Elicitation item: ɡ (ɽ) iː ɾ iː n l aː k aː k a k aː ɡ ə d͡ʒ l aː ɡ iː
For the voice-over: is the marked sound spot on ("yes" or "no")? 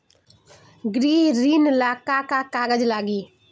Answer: no